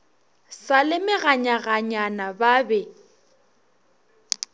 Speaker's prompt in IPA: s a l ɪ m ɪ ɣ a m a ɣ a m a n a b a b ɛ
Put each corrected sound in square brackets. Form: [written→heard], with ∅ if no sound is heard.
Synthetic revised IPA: s a l ɪ m ɪ ɣ a [m→ɲ] a ɣ a [m→ɲ] a n a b a b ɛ